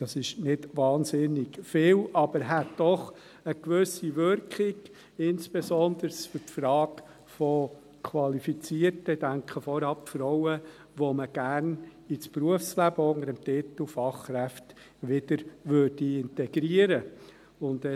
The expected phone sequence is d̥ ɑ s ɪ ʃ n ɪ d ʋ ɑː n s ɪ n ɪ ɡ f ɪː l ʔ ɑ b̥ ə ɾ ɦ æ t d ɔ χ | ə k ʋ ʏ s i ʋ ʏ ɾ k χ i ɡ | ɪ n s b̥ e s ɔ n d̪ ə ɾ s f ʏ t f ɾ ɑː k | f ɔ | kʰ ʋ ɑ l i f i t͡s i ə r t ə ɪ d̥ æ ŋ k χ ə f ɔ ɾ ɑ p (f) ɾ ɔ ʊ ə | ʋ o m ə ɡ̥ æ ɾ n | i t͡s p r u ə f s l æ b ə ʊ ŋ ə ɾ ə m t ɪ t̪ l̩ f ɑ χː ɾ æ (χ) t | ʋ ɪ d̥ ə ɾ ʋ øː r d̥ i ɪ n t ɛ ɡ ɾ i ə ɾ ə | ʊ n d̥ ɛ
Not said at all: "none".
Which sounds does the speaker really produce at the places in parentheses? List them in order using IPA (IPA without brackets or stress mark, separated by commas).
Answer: f, f